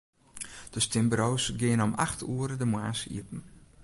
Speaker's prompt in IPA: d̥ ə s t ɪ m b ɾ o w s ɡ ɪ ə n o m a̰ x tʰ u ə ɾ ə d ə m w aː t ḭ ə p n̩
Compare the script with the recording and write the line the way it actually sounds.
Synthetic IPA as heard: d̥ ə s t ɪ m b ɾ o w s ɡ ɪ ə n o m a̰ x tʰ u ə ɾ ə d ə m w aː s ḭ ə p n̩